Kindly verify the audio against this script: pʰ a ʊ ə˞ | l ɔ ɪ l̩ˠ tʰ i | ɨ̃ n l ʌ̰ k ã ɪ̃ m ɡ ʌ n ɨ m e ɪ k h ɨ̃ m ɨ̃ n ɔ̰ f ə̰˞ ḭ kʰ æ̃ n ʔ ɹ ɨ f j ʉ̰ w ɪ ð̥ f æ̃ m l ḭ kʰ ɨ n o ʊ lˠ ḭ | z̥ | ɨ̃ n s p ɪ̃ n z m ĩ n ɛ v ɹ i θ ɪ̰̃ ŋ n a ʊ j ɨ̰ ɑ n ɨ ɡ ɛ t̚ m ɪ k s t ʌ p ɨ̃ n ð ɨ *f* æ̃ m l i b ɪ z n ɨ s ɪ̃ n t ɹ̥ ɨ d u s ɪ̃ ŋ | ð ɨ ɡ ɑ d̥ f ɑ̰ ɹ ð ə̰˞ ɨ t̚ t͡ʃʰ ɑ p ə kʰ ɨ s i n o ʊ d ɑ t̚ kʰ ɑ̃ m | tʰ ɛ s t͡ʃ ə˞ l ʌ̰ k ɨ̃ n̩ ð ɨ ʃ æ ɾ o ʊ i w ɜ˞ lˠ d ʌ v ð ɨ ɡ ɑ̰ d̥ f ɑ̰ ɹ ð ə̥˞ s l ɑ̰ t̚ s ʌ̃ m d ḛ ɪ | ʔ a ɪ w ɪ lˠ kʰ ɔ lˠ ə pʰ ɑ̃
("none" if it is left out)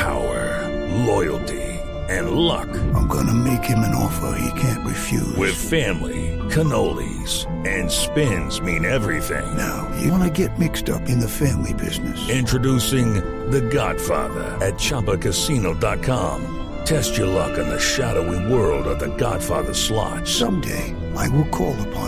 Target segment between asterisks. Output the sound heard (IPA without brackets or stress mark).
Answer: f